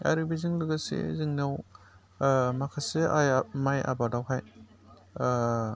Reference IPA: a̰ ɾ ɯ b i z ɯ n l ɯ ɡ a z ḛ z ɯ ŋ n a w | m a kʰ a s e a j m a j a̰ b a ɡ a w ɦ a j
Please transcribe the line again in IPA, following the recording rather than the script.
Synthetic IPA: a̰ ɾ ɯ b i z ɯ ŋ l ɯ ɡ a s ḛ z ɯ ŋ n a w | m a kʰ a s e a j m a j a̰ b a d a w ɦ a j

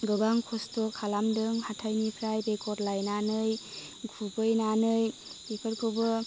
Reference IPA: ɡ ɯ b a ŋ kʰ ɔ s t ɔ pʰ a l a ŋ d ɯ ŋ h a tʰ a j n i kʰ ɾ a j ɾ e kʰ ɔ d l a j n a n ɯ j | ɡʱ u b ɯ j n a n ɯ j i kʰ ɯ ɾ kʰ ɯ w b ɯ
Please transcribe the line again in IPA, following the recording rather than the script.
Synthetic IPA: ɡ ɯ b a ŋ kʰ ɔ s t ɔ kʰ a l a m d ɯ ŋ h a tʰ a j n i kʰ ɾ a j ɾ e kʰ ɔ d l a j n a n ɯ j | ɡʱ u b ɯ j n a n ɯ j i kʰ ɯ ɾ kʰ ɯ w b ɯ

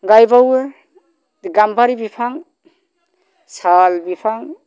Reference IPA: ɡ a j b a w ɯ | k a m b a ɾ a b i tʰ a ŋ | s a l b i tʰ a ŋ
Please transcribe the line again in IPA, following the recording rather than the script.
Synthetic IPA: ɡ a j b a w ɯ | ɡ a m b a ɾ i b i pʰ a ŋ | s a l b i pʰ a ŋ

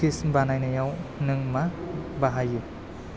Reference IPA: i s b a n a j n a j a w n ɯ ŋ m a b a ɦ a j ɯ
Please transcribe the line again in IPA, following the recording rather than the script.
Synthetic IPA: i s b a n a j n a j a w n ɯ ŋ m a b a ɦ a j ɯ

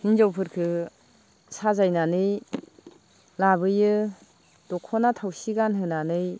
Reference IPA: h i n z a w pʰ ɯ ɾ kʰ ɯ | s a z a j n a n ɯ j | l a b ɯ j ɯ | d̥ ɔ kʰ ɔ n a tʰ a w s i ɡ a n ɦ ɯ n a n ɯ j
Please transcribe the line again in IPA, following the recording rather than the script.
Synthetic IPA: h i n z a w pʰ ɯ ɾ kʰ ɯ | s a z a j n a n ɯ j | l a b ɯ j ɯ | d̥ ɔ kʰ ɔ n a tʰ a w s i ɡ a n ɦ ɯ n a n ɯ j

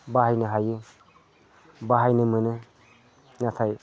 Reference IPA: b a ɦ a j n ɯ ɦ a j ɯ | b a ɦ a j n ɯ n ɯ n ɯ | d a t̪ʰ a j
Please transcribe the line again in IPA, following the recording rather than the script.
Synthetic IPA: b a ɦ a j n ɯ ɦ a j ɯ | b a ɦ a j n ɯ m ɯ n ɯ | n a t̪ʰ a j

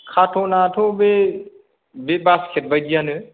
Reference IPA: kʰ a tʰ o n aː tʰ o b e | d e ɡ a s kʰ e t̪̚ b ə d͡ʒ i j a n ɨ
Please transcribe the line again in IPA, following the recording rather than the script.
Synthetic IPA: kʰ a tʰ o n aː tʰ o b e | b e b a s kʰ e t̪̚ b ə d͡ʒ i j a n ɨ

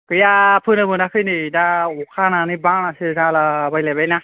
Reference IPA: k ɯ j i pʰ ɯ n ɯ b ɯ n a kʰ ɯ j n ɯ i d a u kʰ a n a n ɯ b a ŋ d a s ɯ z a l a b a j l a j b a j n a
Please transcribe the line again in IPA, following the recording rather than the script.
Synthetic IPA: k ɯ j a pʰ ɯ n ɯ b ɯ n a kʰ ɯ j n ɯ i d a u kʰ a n a n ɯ b a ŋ n a s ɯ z a l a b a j l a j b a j n a

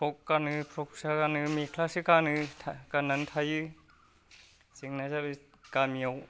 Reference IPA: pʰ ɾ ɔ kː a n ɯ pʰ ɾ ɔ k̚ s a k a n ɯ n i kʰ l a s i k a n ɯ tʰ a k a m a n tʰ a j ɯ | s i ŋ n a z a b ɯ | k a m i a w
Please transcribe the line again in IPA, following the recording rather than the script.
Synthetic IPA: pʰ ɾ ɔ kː a n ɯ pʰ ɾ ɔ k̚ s a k a n ɯ m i kʰ l a s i k a n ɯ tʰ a k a n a n tʰ a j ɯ | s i ŋ n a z a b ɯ | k a m i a w

